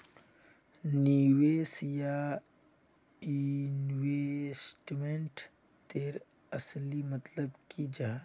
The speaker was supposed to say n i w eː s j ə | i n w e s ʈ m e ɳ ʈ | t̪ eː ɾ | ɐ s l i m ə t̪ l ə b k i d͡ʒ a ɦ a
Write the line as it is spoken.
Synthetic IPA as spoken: n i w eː s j a | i n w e s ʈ m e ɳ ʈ | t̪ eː ɾ | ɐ s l i m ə t̪ l ə b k i d͡ʒ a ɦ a